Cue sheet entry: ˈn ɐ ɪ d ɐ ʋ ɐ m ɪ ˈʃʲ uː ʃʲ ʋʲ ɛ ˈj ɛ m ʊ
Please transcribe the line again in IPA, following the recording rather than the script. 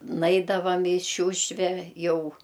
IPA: ˈn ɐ ɪ d ɐ ʋ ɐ m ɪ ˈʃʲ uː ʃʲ ʋʲ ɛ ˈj ɛ ʊ